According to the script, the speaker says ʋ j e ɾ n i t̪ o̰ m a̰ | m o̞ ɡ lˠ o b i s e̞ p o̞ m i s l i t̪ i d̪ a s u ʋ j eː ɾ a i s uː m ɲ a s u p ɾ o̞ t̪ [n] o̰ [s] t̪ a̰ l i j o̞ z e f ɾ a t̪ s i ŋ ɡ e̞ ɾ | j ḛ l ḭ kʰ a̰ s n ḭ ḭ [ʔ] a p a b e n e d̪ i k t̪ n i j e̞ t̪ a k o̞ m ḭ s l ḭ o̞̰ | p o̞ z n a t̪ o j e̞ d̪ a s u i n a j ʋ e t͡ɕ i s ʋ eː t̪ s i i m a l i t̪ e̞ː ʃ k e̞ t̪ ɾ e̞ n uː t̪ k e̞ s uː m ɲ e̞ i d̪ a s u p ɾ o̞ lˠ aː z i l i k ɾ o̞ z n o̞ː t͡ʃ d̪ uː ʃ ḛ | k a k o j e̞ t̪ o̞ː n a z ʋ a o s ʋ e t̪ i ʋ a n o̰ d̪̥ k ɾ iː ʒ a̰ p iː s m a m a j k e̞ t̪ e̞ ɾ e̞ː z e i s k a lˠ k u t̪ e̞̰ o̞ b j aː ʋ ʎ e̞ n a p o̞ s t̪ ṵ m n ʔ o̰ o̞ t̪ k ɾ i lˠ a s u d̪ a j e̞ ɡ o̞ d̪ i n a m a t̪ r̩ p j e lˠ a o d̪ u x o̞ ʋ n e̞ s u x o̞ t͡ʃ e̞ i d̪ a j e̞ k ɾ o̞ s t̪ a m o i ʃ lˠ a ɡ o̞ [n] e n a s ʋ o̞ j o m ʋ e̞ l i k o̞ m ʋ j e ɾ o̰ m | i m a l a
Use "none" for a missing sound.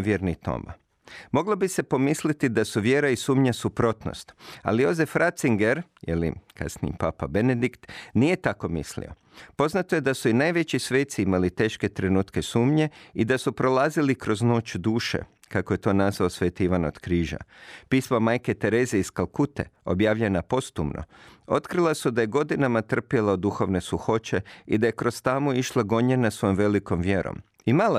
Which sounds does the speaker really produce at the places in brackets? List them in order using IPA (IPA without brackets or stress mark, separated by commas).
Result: n, s, p, ɲ